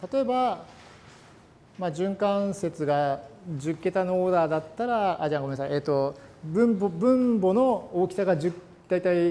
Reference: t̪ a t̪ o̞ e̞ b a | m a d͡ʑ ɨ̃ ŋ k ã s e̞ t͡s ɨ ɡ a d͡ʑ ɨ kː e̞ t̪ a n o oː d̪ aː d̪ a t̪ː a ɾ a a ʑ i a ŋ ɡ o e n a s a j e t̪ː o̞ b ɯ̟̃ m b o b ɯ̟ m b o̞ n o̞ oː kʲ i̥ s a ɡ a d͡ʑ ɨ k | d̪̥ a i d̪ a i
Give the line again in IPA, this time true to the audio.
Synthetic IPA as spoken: t̪ a t̪ o̞ e̞ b a | m a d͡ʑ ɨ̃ ŋ k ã s e̞ t͡s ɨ ɡ a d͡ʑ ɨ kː e̞ t̪ a n o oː d̪ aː d̪ a t̪ː a ɾ a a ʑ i a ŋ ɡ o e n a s a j e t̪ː o̞ b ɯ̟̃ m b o b ɯ̟̃ m b o̞ n o̞ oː kʲ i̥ s a ɡ a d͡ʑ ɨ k | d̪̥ a i t̪ a i